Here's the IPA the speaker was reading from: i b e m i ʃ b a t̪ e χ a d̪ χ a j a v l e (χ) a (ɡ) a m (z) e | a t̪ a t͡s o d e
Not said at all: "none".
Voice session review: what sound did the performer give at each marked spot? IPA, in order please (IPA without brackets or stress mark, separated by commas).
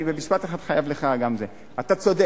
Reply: χ, ɡ, z